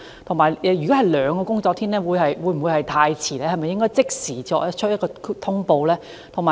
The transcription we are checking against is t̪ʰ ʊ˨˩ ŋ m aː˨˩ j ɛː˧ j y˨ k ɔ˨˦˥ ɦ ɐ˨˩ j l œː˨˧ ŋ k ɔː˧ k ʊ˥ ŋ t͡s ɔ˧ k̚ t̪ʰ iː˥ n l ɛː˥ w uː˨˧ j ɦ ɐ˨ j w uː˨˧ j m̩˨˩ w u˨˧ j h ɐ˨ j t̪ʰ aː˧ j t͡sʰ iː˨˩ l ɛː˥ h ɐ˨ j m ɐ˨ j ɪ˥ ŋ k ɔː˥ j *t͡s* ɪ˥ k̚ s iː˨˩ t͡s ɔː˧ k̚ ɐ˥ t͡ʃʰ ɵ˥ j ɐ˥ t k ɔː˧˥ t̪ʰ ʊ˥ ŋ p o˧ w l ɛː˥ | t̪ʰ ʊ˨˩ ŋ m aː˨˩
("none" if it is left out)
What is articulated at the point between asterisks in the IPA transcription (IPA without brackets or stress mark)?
t͡s